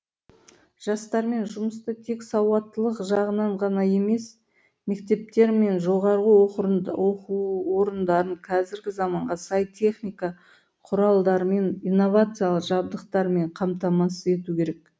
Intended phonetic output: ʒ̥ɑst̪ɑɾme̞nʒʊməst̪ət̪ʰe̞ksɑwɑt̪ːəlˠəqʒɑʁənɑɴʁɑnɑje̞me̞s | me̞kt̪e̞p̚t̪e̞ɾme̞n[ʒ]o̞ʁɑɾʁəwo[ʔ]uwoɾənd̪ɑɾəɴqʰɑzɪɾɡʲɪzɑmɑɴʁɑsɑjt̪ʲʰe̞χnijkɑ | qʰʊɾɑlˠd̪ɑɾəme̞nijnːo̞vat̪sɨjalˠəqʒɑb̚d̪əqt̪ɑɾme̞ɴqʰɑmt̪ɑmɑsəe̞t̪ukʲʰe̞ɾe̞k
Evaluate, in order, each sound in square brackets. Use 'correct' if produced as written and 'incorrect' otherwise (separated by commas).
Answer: correct, incorrect